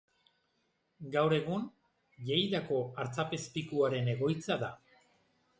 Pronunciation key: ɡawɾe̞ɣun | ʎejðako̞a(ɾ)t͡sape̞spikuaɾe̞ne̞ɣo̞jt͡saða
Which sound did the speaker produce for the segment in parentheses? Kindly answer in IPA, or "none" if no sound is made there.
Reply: ɾ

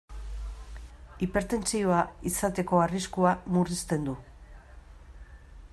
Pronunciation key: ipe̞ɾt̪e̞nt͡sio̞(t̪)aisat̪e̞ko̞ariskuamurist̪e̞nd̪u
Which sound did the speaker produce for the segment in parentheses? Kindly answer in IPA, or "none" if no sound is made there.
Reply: none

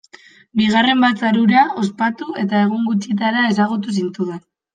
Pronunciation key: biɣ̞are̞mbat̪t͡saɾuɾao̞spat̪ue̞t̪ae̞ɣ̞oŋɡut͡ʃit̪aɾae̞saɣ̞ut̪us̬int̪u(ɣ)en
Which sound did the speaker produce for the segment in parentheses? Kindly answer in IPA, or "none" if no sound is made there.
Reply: ð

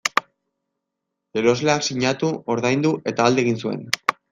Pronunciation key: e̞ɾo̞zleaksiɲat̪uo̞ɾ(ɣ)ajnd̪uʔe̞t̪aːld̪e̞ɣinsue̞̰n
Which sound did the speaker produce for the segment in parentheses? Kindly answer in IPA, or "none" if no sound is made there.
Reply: ð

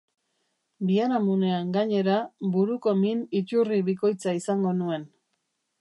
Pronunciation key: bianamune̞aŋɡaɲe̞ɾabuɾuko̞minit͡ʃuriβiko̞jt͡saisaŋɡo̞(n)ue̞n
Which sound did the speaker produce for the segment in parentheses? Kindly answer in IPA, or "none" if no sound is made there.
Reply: n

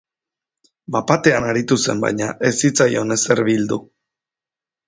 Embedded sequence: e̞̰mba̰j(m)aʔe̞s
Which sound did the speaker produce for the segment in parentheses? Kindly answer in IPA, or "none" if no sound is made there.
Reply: ɲ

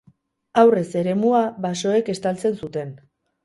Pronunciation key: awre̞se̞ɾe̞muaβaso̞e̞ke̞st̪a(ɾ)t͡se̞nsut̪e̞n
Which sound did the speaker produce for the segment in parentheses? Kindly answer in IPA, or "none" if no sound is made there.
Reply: l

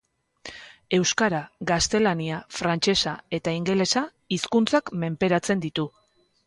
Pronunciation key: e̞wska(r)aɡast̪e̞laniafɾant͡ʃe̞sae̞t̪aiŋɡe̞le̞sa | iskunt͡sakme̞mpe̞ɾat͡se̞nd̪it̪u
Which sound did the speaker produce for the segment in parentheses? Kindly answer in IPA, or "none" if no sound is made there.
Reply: ɾ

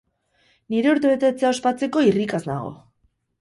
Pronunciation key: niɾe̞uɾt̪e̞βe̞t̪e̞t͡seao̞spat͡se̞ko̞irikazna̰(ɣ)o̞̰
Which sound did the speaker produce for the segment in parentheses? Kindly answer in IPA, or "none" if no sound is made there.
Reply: ɣ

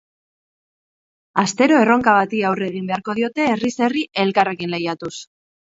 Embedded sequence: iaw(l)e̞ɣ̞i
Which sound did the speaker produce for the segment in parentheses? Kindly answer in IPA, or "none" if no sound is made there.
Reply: r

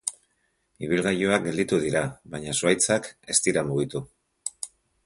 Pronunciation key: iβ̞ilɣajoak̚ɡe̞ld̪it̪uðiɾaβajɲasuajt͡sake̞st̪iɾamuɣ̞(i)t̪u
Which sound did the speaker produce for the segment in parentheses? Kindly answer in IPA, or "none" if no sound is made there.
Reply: i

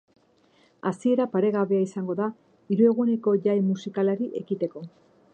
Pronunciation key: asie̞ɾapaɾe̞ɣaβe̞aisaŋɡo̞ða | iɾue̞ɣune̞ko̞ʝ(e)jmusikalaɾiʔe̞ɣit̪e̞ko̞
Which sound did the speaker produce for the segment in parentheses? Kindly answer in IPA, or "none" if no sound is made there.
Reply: a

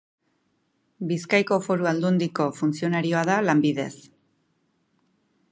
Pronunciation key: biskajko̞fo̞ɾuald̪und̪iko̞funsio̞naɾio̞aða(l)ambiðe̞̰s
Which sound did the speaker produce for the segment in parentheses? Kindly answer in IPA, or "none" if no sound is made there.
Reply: l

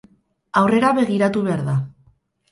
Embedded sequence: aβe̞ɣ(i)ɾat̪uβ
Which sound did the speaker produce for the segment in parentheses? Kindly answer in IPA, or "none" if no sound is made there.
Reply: i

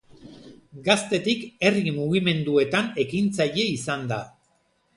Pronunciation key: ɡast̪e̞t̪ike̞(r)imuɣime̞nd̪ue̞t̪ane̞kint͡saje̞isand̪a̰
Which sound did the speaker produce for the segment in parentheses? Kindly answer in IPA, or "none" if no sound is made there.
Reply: r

